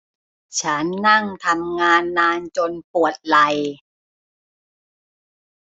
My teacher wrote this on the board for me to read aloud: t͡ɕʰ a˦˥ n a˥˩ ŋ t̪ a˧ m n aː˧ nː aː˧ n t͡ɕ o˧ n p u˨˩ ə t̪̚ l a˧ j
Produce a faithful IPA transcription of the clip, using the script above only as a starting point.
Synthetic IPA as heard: t͡ɕʰ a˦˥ nː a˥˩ ŋ t̪ʰ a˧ m ŋ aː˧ nː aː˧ n t͡ɕ o˧ n p u˨˩ ə t̪̚ l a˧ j